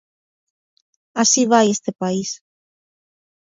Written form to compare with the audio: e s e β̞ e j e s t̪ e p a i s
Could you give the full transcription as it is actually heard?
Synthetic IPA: a s i β̞ a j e s t̪ e p a i s